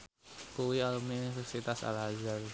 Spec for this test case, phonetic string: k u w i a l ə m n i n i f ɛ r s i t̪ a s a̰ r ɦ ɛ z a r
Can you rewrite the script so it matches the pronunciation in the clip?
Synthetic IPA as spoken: k u w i a l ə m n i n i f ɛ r s i t̪ a s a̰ l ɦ a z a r